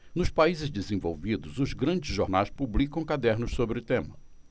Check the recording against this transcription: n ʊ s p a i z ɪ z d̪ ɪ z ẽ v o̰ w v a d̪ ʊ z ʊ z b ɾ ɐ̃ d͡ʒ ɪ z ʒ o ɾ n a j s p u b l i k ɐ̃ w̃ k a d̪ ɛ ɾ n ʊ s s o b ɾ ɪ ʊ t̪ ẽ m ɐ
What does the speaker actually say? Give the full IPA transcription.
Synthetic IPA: n ʊ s p a i z ɪ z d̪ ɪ z ẽ v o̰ w v i d̪ ʊ z ʊ z ɡ ɾ ɐ̃ d͡ʒ ɪ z ʒ o ɾ n a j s p u b l i k ɐ̃ w̃ k a d̪ ɛ ɾ n ʊ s s o b ɾ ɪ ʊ t̪ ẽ m ɐ